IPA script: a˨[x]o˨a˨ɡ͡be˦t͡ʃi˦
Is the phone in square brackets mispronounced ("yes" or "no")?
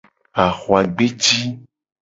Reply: no